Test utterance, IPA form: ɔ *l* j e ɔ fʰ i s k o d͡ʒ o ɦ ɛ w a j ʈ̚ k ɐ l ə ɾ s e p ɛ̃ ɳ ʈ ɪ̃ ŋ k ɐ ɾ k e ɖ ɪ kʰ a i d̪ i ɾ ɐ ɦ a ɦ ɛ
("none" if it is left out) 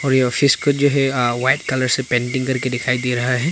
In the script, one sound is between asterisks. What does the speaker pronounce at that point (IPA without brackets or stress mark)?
ɾ